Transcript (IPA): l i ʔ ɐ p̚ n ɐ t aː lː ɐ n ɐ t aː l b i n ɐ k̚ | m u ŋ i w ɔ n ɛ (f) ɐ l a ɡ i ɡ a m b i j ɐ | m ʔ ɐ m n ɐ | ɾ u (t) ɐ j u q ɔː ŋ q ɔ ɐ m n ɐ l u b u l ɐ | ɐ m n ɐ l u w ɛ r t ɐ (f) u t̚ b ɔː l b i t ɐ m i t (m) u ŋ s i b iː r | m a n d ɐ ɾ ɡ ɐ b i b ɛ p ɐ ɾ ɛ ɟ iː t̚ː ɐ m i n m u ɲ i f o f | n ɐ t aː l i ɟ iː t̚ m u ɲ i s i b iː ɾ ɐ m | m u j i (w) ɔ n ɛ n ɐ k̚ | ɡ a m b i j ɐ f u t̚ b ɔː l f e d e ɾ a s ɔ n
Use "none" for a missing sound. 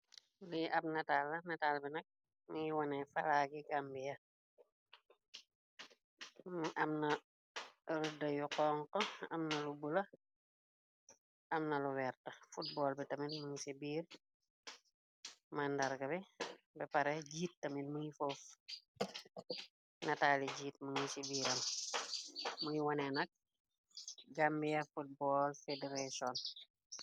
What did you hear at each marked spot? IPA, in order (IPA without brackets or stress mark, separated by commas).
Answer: f, d, f, m, w